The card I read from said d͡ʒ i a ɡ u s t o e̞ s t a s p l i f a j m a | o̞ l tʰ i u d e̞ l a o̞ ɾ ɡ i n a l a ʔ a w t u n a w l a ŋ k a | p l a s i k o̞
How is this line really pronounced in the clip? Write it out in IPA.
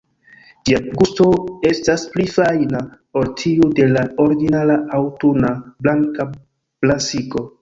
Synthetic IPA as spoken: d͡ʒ i a ɡ u s t o e̞ s t a s p l i f a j n a | o̞ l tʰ i u d e̞ l a o̞ ɾ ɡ i n a l a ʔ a w t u n a b l a ŋ k a | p l a s i k o̞

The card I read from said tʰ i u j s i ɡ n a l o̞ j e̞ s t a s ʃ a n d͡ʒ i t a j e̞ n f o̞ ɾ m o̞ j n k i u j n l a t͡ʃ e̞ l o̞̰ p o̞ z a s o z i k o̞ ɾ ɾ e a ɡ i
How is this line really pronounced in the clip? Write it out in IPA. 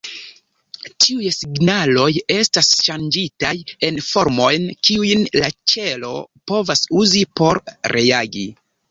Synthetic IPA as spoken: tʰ i u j s i ɡ n a l o̞ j e̞ s t a s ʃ a n d͡ʒ i t a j e̞ n f o̞ ɾ m o̞ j n k i u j n l a t͡ʃ e̞ l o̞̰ p o̞ v a s u z i p o̞ ɾ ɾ e a ɡ i

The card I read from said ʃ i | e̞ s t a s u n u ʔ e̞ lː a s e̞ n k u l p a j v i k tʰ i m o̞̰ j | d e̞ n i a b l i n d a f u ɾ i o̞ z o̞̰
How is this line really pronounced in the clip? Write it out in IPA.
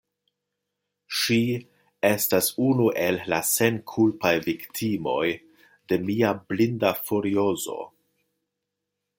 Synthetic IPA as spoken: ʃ i | e̞ s t a s u n u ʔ e̞ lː a s e̞ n kʰ u l p a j v i k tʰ i m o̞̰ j | d e̞ m i a b l i n d a f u ɾ i o̞ z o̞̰

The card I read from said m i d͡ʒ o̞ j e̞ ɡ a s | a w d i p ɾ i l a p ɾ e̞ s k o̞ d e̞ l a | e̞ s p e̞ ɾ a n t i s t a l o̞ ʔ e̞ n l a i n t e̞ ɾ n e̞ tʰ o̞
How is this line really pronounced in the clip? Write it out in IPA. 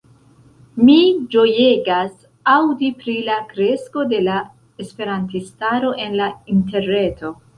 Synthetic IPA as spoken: m i d͡ʒ o̞ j e̞ ɡ a s | a w d i p ɾ i l a k ɾ e̞ s k o̞ d e̞ l a | e̞ s p e̞ ɾ a n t i s t a ɾ o̞ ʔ e̞ n l a i n t e̞ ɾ n e̞ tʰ o̞

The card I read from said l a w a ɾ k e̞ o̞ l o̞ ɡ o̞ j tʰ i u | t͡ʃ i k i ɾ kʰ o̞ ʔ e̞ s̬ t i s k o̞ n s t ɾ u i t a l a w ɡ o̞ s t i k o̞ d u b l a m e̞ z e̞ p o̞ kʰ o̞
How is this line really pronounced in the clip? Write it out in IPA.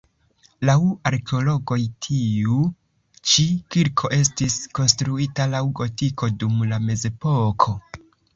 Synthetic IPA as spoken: l a w a ɾ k e̞ o̞ l o̞ ɡ o̞ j tʰ i u | t͡ʃ i k i ɾ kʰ o̞ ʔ e̞ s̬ t i s k o̞ n s t ɾ u i t a l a w ɡ o̞ t i k o̞ d u m l a m e̞ z e̞ p o̞ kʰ o̞

